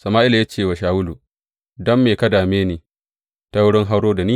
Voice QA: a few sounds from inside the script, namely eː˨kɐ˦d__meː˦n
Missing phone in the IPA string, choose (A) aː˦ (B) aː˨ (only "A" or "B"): B